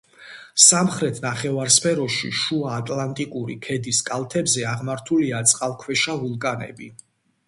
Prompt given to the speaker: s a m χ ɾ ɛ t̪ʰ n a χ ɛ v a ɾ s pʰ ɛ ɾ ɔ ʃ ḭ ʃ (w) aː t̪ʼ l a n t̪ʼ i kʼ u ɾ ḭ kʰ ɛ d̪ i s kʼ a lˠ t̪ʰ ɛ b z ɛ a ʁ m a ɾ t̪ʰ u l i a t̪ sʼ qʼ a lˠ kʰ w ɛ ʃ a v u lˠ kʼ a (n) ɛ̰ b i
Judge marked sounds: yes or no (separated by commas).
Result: no, yes